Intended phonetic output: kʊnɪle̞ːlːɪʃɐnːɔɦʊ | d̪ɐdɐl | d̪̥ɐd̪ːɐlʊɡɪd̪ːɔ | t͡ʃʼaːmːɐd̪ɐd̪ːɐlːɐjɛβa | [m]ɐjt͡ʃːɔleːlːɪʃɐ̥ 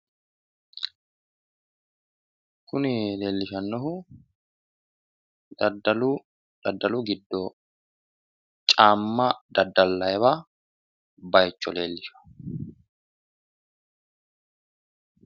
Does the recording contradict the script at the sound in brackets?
yes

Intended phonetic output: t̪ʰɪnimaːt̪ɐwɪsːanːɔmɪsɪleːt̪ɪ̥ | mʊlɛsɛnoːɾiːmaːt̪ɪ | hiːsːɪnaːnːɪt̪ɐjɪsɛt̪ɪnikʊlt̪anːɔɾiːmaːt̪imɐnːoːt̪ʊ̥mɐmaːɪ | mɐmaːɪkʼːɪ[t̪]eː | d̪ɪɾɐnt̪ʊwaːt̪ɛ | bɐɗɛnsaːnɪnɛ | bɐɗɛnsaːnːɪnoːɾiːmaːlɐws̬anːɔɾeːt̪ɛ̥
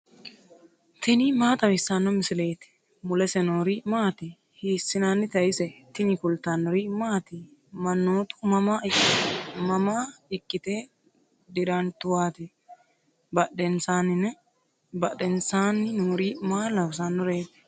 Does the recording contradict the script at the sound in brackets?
no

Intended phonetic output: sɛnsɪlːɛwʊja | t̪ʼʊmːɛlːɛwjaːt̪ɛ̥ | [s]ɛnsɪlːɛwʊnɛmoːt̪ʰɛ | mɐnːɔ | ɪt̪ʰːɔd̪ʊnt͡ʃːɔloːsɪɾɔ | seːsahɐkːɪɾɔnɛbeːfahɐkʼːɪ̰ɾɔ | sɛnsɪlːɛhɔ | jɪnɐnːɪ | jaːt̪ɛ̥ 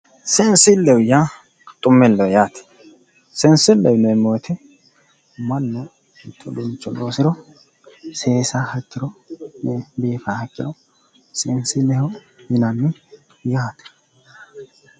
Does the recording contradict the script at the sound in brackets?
no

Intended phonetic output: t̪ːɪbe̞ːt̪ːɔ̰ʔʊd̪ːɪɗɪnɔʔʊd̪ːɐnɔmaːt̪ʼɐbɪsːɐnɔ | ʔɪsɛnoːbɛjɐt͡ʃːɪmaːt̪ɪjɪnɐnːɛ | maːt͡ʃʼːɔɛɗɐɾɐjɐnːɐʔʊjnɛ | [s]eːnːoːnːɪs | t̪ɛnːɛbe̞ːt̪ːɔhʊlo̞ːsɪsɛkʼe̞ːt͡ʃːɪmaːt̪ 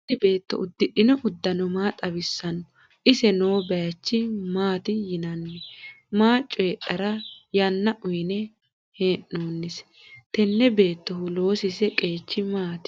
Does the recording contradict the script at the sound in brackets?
yes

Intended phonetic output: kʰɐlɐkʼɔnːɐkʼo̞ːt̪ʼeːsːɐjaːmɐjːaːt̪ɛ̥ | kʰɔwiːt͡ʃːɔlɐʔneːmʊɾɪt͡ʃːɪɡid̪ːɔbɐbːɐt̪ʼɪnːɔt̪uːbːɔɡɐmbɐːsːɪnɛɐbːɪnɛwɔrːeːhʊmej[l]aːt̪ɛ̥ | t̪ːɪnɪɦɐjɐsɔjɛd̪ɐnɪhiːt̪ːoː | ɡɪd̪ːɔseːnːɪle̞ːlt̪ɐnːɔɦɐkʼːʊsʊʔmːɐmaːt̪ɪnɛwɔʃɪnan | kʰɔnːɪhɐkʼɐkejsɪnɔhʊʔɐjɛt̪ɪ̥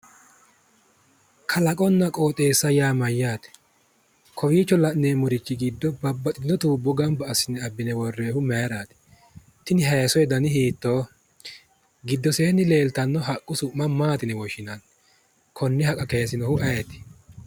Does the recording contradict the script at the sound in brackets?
yes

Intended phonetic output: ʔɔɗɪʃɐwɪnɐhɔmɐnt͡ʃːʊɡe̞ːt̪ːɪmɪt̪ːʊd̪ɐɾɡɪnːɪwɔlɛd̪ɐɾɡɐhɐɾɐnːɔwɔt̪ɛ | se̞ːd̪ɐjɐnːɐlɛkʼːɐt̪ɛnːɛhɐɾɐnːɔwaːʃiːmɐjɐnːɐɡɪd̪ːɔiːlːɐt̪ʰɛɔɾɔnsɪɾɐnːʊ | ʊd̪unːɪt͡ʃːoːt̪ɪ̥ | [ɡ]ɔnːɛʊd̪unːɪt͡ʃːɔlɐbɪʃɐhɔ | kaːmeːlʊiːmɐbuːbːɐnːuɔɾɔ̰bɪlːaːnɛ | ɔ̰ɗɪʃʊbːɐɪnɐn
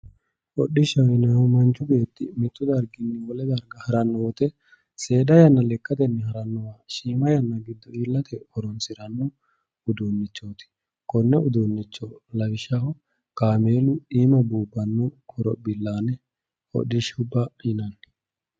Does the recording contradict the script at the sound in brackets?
yes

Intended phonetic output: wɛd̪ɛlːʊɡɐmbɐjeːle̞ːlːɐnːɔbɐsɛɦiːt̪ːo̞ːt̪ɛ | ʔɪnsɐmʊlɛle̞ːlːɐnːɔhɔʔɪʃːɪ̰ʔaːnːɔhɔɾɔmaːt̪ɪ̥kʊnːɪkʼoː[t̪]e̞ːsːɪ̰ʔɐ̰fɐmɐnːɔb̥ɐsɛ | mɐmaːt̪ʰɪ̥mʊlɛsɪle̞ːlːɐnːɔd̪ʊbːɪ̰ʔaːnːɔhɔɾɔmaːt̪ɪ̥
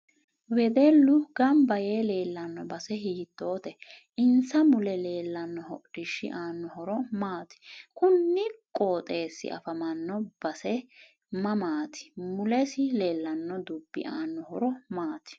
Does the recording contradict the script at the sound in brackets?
yes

